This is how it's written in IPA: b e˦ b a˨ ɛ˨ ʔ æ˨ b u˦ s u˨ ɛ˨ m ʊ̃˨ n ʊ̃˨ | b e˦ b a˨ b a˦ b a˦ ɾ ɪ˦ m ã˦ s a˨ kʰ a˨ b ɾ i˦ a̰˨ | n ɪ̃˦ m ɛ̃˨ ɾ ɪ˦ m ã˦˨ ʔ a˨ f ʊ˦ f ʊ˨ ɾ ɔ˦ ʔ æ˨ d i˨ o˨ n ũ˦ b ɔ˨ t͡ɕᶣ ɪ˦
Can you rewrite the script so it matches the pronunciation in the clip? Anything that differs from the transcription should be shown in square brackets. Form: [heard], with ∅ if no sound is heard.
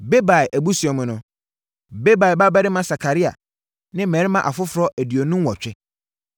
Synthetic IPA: b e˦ b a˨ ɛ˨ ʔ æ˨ b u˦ s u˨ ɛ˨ m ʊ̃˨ n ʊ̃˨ | b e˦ b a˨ b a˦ b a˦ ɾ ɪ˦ m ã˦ s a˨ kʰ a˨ [∅] ɾ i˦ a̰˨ | n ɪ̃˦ m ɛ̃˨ ɾ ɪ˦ m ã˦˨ ʔ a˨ f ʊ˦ f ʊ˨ ɾ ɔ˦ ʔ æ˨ d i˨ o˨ n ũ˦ [w] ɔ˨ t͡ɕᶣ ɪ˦